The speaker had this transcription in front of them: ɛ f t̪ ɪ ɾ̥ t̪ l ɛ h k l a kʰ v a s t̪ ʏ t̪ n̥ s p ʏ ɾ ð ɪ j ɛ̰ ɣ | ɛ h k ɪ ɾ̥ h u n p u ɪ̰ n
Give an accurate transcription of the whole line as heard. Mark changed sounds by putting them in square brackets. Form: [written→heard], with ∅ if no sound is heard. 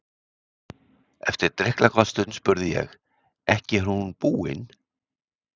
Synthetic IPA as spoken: ɛ f t̪ ɪ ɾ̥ t̪ [l→ɾ] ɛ h k l a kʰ v a s t̪ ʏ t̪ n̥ s p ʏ ɾ ð ɪ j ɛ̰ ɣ | ɛ h [k→c] ɪ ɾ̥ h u n p [u→uː] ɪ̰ n

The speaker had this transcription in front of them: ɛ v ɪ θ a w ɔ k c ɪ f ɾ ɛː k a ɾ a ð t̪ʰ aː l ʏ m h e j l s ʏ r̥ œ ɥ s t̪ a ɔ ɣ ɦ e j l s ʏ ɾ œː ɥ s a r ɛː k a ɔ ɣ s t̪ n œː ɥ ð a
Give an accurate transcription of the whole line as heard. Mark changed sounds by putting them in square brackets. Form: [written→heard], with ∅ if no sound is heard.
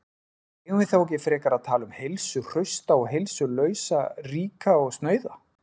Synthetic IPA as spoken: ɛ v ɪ θ a w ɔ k c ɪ f ɾ ɛː k a ɾ a ð t̪ʰ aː l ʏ m h e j l s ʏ r̥ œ ɥ s t̪ a ɔ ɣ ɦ e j l s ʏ [ɾ→l] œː ɥ s a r [ɛː→iː] k a ɔ ɣ s t̪ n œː ɥ ð a

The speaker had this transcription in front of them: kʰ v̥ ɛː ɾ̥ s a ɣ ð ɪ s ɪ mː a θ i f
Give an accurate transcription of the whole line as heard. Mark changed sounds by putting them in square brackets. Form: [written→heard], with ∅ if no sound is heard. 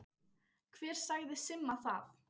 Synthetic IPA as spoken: kʰ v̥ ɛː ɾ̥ s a ɣ ð ɪ s ɪ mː a θ [i→a] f

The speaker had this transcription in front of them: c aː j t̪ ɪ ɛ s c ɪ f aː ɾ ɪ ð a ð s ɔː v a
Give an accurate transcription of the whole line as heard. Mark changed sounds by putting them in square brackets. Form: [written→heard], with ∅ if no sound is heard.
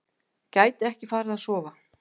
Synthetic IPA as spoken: c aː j t̪ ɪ ɛ [s→h] c ɪ f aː ɾ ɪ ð a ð s ɔː v a

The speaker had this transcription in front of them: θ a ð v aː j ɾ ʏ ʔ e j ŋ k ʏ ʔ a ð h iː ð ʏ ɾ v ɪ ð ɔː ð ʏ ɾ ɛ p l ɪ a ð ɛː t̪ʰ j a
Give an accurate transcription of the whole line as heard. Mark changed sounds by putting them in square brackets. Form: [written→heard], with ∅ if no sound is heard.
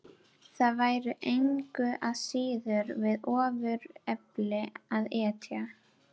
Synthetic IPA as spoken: θ a ð v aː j ɾ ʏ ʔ e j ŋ k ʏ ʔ a ð [h→s] iː ð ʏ ɾ v ɪ ð ɔː [ð→v] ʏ ɾ ɛ p l ɪ a ð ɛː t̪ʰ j a

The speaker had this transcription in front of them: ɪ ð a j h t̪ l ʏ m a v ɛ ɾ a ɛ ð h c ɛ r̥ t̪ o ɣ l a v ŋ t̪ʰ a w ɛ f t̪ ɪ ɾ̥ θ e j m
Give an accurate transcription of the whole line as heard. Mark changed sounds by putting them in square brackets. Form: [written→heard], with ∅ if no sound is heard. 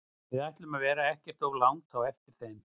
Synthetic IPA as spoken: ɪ ð a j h t̪ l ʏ m a v [ɛ→ɛː] ɾ a ɛ [ð→∅] h c ɛ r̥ t̪ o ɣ l a [v→w] ŋ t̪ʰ a w ɛ f t̪ ɪ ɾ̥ θ e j m

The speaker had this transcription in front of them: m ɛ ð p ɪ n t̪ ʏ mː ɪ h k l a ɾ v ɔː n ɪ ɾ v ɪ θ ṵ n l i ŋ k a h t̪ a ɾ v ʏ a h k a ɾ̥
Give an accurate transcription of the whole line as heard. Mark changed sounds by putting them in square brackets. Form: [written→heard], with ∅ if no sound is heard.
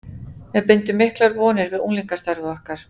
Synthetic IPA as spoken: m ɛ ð p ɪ n t̪ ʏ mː ɪ h k l a ɾ v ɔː n ɪ ɾ v ɪ [θ→ð] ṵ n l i ŋ k a [h→s] t̪ a ɾ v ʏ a h k a ɾ̥

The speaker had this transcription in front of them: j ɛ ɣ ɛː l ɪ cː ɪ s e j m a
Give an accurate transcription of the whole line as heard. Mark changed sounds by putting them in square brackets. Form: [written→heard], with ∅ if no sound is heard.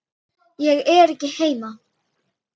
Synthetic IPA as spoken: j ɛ ɣ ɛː [l→ɾ] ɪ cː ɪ [s→h] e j m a

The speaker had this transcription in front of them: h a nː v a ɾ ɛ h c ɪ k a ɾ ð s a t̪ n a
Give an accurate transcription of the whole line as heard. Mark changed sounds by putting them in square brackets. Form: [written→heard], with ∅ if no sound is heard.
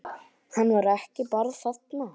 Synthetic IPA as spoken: h a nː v a ɾ ɛ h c ɪ [k→p] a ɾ ð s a t̪ n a

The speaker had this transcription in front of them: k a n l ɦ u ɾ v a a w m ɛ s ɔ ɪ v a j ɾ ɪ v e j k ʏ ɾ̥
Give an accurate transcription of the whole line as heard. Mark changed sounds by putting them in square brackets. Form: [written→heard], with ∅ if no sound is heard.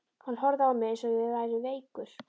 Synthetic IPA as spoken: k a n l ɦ [u→ɔ] ɾ [v→ð] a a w m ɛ s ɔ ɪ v a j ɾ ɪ v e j k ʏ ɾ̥

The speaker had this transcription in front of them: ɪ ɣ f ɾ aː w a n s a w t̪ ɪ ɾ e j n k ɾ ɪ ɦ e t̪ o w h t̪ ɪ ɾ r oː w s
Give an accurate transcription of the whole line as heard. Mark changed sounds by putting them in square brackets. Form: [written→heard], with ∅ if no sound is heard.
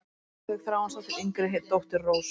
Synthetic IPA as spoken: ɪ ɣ [f→θ] ɾ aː w a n s a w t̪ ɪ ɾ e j [n→ŋ] k ɾ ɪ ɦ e t̪ o w h t̪ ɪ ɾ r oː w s

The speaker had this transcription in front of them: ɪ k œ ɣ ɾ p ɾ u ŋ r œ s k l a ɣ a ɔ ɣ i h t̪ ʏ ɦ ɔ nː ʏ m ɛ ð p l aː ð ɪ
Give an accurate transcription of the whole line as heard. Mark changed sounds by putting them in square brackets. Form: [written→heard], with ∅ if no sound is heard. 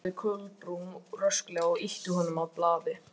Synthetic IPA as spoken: ɪ [k→kʰ] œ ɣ [ɾ→l] p ɾ u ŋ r œ s k l [a→ɛ] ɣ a ɔ ɣ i h t̪ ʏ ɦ ɔ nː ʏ m [ɛ→a] ð p l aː ð ɪ

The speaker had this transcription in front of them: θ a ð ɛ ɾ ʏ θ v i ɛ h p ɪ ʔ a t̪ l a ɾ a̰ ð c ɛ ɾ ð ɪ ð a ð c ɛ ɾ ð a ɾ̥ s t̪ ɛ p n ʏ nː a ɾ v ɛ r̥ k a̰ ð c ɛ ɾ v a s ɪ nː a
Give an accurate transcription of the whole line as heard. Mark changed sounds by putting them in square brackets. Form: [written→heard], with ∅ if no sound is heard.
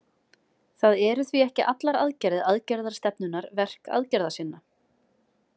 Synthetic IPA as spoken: θ a ð ɛ ɾ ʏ θ v i ɛ h [p→c] ɪ ʔ a t̪ l a ɾ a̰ ð c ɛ ɾ ð ɪ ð a ð c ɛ ɾ ð a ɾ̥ s t̪ ɛ p n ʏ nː a ɾ v ɛ r̥ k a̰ ð c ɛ ɾ [v→ð] a s ɪ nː a

